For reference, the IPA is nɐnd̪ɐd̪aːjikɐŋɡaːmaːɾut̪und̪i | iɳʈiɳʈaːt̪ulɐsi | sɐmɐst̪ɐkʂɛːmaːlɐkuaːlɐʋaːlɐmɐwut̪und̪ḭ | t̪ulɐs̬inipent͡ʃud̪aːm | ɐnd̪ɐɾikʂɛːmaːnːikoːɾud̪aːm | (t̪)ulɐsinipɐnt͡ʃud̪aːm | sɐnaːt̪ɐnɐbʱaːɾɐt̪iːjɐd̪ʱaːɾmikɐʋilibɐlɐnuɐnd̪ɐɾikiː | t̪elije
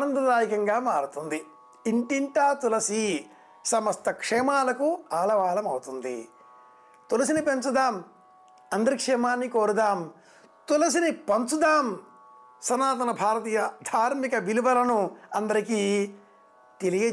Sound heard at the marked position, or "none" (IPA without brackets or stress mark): t̪